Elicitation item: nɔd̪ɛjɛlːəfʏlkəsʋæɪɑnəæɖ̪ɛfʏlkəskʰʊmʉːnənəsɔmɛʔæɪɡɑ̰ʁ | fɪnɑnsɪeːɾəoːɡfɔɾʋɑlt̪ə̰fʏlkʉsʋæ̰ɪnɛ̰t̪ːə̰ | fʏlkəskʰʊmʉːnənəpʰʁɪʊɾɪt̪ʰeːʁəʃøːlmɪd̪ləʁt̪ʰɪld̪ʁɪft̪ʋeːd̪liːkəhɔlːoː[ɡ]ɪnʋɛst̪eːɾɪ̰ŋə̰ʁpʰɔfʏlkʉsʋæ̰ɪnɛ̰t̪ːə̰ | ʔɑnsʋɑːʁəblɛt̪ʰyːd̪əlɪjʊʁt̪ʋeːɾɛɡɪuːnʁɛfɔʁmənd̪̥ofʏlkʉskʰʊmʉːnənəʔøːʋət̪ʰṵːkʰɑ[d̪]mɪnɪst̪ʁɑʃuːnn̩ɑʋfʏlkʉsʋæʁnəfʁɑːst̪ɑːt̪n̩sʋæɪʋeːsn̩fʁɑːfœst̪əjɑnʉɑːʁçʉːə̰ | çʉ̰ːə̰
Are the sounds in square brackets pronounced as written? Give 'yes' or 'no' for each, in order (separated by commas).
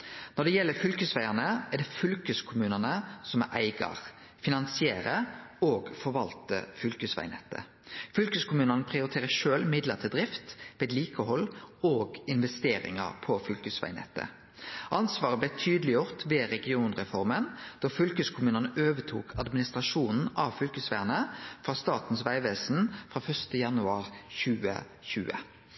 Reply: yes, yes